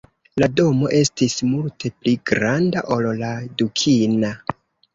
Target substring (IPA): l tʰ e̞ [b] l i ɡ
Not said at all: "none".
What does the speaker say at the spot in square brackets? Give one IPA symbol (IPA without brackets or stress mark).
p